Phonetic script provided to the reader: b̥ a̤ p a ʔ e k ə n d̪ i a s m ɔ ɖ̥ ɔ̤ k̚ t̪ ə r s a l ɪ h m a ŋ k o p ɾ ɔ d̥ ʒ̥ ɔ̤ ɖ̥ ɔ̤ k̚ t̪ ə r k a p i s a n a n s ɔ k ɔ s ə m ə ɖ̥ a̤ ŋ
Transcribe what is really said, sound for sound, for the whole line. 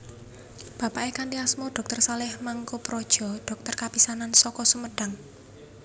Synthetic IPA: b̥ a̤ p a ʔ e k a n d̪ i a s m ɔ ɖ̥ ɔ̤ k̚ t̪ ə r s a l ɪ h m a ŋ k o p ɾ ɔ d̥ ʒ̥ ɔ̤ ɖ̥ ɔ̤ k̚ t̪ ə r k a p i s a n a n s ɔ k ɔ s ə m ə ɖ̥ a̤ ŋ